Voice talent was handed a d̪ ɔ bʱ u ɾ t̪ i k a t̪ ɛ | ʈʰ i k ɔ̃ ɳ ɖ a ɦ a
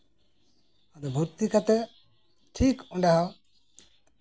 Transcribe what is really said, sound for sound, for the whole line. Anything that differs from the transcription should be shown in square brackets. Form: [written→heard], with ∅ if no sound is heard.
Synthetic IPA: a d̪ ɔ bʱ u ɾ t̪ i k a t̪ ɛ | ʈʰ i k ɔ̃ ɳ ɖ a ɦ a